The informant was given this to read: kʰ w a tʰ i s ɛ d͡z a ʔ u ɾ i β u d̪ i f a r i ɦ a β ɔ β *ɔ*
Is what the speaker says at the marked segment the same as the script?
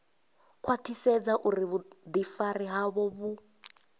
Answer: no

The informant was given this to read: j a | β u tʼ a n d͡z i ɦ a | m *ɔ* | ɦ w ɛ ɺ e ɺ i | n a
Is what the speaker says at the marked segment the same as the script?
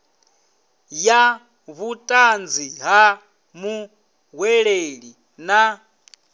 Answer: no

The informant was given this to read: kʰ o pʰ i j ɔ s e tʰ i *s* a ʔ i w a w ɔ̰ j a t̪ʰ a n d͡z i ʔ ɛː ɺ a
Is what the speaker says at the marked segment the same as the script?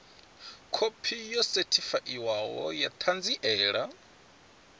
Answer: no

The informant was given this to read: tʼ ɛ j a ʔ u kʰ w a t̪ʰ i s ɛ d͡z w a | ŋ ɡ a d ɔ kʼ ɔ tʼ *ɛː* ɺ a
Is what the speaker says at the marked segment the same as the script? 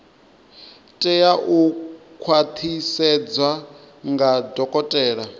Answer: yes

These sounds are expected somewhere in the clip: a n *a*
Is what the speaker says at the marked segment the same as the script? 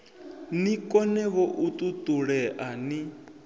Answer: no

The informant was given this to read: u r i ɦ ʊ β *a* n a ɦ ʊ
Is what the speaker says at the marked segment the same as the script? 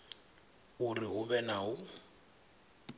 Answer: no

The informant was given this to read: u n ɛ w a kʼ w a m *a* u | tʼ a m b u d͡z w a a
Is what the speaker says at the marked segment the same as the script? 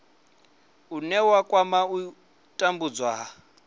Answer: yes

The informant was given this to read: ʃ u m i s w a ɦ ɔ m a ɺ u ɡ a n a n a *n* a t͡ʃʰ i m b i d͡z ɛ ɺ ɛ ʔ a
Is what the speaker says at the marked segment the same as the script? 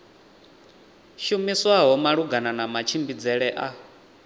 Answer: no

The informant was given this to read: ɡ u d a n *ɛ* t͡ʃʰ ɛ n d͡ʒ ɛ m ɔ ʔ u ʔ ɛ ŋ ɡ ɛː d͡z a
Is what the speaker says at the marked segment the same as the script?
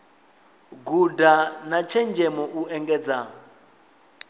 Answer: no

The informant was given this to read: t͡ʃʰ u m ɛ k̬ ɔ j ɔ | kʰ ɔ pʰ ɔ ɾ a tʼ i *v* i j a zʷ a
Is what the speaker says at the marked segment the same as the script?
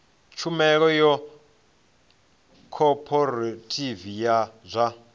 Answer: yes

